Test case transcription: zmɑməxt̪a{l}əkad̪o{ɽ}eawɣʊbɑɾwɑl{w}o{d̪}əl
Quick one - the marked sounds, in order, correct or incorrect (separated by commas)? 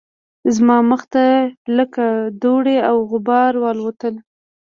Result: correct, correct, correct, incorrect